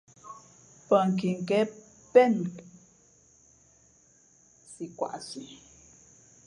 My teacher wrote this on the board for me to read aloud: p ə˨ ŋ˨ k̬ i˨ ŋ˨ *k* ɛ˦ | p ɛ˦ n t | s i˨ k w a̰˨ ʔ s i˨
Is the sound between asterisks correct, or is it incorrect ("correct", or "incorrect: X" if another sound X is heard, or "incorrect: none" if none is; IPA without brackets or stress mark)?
correct